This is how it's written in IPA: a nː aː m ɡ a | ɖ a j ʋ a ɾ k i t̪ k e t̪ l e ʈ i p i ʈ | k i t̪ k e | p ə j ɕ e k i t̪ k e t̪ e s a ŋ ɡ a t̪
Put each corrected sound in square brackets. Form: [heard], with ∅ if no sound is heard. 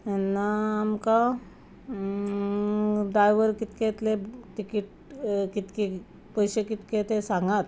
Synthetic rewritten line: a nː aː m [k] a | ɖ a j ʋ [ə] ɾ k i t̪ k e t̪ l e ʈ i [k] i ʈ | k i t̪ k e | p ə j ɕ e k i t̪ k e t̪ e s a ŋ ɡ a t̪